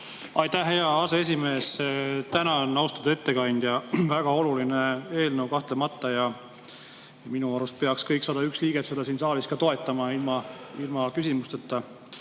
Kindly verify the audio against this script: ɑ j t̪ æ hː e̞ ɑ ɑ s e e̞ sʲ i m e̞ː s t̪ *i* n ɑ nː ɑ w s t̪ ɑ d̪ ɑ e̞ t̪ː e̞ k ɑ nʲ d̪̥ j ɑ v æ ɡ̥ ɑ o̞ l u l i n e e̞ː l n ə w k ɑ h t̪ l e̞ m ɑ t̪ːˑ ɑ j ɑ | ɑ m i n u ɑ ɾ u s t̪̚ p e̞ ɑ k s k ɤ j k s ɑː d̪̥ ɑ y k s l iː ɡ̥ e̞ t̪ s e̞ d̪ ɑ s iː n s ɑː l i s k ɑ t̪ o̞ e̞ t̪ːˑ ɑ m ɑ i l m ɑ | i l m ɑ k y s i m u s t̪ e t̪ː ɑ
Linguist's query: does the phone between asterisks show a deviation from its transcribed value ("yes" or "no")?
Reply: yes